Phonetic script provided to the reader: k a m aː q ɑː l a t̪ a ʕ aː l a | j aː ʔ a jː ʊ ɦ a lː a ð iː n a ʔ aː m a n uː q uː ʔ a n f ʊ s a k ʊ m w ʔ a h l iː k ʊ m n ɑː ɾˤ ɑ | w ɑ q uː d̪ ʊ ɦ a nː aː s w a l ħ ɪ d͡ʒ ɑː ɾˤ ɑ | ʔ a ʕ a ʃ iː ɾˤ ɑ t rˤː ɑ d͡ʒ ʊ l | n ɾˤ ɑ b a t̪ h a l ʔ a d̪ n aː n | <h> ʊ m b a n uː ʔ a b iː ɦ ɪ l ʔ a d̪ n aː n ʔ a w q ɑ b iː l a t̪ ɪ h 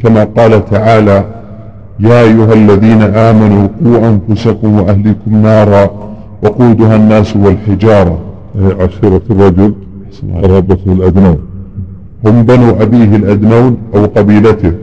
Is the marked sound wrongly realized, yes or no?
no